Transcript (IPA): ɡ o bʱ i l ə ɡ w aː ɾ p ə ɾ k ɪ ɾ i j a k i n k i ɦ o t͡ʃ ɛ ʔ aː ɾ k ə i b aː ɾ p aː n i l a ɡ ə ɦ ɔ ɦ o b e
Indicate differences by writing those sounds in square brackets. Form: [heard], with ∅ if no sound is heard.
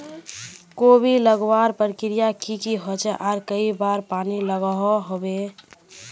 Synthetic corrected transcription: [k] o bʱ i l ə ɡ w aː ɾ p ə ɾ k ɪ ɾ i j a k i [∅] k i ɦ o t͡ʃ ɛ ʔ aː ɾ k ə i b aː ɾ p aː n i l [ə] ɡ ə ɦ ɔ ɦ o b e